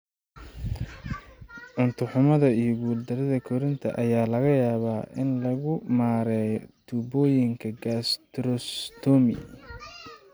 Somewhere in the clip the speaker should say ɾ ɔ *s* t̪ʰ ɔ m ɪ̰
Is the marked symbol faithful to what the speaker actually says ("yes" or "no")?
yes